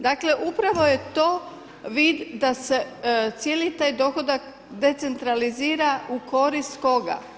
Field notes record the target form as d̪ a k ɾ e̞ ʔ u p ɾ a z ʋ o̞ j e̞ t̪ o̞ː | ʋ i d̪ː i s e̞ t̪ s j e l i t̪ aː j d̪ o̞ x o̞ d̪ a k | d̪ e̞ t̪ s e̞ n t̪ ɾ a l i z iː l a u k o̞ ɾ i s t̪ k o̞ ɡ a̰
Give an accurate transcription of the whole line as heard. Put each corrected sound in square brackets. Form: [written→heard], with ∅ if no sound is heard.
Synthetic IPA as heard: d̪ a k [ɾ→l] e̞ ʔ u p ɾ a [z→∅] ʋ o̞ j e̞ t̪ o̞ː | ʋ i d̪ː [i→a] s e̞ t̪ s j e l i t̪ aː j d̪ o̞ x o̞ d̪ a k | d̪ e̞ t̪ s e̞ n t̪ ɾ a l i z iː [l→ɾ] a u k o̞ ɾ i s t̪ k o̞ ɡ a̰